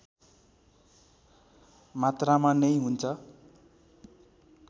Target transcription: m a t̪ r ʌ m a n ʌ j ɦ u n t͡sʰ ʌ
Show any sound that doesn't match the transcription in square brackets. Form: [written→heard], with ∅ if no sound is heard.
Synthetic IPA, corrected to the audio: m a t̪ r [ʌ→a] m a n ʌ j ɦ u n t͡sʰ ʌ

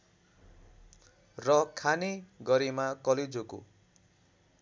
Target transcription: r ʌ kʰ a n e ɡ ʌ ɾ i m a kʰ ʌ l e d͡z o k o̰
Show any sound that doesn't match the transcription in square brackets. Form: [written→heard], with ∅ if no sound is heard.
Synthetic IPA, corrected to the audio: r ʌ kʰ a n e ɡ ʌ ɾ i m a [kʰ→k] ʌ l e d͡z o k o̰

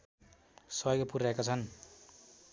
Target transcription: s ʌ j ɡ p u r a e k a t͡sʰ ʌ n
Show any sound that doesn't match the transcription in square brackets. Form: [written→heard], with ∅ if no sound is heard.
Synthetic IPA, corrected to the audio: s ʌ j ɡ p u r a e k a t͡sʰ ʌ n

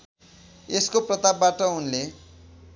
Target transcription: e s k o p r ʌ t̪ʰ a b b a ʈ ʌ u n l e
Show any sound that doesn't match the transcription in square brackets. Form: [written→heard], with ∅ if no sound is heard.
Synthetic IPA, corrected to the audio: e s k o p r ʌ [t̪ʰ→t̪] a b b a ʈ ʌ u n l e

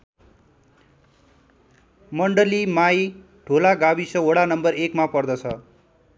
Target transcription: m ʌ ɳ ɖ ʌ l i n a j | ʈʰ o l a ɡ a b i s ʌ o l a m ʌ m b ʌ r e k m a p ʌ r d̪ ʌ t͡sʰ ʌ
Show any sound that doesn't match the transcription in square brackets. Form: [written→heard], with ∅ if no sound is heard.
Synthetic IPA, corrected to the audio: m ʌ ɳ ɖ ʌ l i [n→m] a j | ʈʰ o l a ɡ a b i s ʌ o [l→ɽ] a [m→n] ʌ m b ʌ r e k m a p ʌ r d̪ ʌ t͡sʰ ʌ

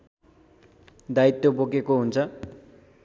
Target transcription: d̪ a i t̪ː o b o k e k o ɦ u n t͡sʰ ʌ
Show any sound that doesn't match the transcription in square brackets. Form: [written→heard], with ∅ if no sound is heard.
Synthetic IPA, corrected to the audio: d̪ a i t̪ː o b o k e k o ɦ u n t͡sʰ ʌ

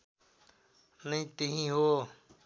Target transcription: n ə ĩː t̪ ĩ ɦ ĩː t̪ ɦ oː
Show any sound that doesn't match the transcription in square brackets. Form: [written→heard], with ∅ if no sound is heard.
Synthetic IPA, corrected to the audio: n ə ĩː t̪ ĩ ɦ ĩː [t̪→∅] ɦ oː

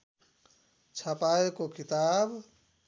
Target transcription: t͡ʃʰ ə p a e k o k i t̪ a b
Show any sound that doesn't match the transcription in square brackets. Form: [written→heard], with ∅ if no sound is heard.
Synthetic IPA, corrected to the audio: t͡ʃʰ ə p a e k o k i t̪ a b

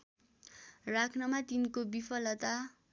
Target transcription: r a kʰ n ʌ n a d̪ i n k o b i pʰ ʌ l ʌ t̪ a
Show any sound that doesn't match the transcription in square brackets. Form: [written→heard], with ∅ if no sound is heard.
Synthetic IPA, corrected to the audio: r a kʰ n ʌ [n→m] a [d̪→t̪] i n k o b i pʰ ʌ l ʌ t̪ a

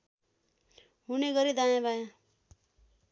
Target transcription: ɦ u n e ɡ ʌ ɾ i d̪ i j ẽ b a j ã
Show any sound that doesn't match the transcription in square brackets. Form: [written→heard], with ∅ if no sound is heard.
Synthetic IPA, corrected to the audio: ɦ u n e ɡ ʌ ɾ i d̪ [i→a] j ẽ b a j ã

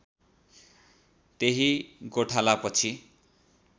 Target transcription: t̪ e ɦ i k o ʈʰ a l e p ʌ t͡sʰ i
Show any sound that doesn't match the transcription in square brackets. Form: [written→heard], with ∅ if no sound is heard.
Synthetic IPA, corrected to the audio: t̪ e ɦ i [k→ɡ] o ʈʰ a l [e→a] p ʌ t͡sʰ i

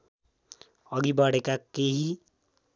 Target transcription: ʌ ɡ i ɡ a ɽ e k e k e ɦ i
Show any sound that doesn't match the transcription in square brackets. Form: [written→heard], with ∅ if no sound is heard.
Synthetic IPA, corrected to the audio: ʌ ɡ i [ɡ→b] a ɽ e k [e→a] k e ɦ i

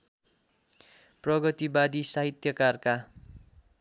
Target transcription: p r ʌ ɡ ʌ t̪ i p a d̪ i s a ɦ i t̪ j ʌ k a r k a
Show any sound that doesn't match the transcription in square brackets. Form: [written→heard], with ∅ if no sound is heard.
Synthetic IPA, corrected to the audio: p r ʌ ɡ ʌ t̪ i [p→b] a d̪ i s a ɦ i t̪ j ʌ k a r k a

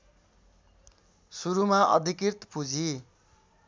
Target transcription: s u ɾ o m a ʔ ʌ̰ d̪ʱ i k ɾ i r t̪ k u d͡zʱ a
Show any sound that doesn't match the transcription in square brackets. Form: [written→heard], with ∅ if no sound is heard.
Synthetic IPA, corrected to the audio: s u ɾ [o→u] m a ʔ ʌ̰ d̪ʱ i k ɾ i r t̪ [k→p] u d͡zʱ [a→i]

